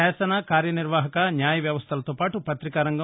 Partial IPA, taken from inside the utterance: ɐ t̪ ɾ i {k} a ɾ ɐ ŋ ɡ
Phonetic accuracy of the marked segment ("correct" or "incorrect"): correct